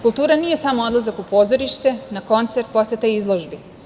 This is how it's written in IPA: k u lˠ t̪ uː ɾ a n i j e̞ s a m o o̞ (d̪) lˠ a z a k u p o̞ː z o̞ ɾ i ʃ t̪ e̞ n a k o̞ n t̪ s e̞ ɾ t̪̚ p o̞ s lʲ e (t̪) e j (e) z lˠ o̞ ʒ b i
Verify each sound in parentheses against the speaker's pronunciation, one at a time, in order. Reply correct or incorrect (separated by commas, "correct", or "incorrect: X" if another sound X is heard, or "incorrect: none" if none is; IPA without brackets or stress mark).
correct, correct, incorrect: i